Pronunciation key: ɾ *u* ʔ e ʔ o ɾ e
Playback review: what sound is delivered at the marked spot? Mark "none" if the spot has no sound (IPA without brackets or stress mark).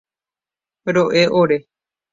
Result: o